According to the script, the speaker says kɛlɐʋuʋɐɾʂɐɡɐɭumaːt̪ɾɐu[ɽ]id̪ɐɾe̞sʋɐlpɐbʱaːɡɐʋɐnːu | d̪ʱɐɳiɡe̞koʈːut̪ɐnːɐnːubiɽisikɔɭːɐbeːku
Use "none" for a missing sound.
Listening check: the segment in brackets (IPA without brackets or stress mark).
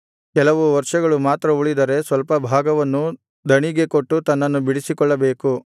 ɭ